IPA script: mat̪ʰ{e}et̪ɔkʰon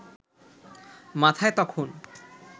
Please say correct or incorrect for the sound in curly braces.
incorrect